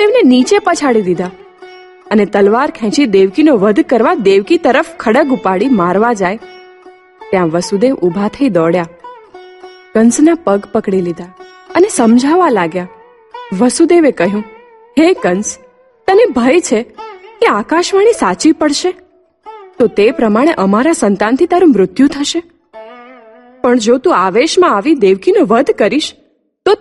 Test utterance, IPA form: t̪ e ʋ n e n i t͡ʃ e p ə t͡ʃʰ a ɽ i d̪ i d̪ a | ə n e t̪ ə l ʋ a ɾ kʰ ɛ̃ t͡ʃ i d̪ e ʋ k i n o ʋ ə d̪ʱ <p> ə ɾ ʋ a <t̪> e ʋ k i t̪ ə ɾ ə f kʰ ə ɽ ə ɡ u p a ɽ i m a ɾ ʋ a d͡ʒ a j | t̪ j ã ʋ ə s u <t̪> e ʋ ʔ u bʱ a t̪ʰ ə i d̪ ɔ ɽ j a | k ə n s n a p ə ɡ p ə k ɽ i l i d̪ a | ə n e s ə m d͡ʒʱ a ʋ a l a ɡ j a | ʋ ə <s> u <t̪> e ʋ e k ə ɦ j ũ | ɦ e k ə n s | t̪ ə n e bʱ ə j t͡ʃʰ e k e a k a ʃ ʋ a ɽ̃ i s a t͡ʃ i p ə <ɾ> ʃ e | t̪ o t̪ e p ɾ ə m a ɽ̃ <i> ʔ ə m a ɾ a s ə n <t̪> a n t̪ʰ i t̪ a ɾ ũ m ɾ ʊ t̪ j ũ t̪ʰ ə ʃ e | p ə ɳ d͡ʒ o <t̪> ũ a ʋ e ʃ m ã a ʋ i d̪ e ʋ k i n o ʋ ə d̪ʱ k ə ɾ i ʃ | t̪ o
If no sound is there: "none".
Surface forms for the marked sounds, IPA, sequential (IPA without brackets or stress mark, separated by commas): k, d̪, d̪, s, d̪, ɽ, e, t̪, t̪